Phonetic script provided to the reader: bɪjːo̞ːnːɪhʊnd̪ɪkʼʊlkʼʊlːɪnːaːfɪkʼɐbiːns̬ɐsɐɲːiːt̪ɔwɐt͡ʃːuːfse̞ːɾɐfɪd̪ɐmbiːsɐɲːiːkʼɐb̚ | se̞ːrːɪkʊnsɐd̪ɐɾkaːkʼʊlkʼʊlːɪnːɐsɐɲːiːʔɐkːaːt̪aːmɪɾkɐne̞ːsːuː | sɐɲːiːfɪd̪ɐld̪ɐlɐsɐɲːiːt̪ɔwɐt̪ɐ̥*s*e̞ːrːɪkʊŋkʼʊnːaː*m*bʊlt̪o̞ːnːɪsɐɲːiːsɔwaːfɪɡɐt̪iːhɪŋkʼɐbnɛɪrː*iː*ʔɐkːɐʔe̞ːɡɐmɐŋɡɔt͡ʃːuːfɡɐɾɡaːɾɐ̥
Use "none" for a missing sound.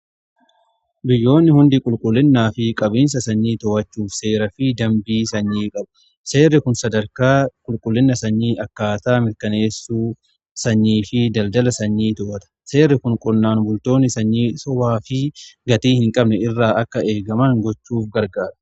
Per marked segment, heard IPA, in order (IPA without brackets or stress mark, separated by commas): s, n, aː